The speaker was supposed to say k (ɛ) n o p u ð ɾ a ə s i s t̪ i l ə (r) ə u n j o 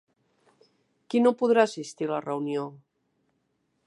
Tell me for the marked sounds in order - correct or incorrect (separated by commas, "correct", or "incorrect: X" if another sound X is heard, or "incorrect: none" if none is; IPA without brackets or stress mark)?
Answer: incorrect: i, correct